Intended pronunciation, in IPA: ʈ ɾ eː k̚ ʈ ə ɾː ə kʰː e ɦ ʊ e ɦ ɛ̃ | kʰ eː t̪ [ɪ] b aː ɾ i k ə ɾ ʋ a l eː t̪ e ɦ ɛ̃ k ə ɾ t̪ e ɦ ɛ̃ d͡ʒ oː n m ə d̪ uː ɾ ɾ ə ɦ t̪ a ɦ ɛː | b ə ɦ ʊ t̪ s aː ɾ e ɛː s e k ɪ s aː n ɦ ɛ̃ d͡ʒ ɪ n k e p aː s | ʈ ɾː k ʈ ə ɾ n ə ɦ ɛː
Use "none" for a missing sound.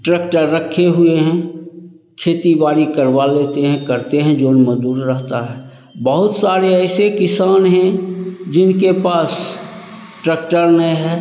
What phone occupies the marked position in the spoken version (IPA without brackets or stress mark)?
i